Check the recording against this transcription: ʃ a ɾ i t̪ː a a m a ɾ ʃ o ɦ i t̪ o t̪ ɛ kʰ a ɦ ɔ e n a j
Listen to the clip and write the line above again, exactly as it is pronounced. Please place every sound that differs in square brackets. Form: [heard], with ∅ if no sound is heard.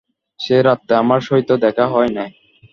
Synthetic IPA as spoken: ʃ [e] ɾ [a] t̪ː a a m a ɾ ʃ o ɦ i t̪ o [d̪] ɛ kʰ a ɦ ɔ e n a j